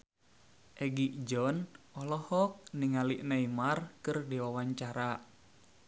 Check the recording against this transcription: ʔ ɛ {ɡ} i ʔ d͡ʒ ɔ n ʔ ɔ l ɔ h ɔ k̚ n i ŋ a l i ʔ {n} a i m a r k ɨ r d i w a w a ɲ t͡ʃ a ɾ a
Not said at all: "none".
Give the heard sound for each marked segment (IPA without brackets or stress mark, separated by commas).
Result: ɡ, n